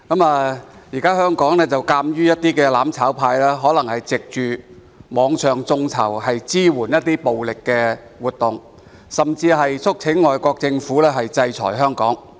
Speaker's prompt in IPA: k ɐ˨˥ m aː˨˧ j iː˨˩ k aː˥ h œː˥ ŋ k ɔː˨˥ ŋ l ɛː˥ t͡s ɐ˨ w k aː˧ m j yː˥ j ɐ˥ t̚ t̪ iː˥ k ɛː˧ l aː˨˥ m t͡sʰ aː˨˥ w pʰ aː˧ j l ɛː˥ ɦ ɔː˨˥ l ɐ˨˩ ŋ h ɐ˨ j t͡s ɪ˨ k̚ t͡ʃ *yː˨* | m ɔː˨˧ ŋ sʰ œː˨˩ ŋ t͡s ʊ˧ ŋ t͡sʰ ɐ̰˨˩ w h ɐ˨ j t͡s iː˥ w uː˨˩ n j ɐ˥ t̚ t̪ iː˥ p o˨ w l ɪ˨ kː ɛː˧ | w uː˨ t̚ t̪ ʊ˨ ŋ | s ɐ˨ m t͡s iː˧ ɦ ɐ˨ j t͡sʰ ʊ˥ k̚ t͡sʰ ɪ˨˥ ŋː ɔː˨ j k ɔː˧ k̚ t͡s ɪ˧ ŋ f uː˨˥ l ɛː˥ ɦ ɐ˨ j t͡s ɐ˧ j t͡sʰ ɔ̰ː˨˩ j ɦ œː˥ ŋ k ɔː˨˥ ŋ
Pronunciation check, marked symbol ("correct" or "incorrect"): correct